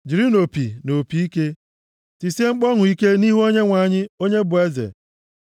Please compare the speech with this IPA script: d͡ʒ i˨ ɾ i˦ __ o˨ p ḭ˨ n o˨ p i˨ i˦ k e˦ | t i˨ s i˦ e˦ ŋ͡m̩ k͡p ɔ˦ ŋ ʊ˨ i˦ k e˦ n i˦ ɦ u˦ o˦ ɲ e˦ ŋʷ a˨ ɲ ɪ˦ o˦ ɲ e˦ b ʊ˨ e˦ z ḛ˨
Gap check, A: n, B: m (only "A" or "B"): A